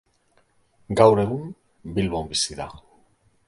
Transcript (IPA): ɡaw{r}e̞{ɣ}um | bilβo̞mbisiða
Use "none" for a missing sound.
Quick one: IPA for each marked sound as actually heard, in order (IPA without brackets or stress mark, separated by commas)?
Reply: ɾ, ɣ